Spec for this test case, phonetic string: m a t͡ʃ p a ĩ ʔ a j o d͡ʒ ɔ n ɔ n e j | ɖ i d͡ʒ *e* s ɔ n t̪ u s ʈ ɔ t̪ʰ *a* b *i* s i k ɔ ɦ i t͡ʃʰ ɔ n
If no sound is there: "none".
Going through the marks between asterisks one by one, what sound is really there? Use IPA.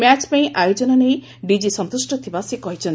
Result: i, i, a

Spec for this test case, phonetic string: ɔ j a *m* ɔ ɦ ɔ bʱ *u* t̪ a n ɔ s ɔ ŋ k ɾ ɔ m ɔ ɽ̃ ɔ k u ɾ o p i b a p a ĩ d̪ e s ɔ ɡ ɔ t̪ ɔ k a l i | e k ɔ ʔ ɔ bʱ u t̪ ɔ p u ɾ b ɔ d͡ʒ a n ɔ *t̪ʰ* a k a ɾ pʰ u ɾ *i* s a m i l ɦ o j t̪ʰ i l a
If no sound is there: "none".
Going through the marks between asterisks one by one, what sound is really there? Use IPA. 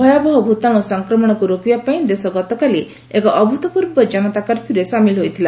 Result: b, u, t̪, e

